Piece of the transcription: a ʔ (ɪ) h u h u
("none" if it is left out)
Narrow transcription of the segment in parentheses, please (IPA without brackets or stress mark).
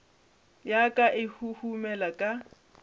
ɪ